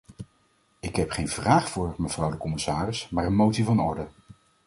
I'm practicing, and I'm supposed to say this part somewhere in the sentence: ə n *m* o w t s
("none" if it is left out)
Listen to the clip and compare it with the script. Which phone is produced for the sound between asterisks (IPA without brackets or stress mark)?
m